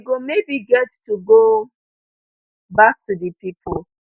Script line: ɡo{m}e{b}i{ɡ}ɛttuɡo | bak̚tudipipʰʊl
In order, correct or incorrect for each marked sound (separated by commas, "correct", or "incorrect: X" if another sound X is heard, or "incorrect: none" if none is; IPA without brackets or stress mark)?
correct, correct, correct